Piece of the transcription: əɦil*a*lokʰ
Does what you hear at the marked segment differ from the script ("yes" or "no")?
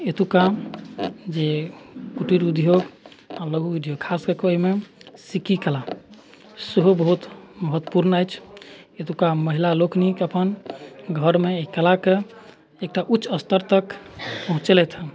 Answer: no